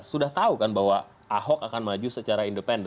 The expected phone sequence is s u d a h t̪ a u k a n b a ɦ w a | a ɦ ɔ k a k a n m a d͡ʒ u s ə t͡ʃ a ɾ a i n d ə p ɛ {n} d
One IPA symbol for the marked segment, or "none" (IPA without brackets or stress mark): n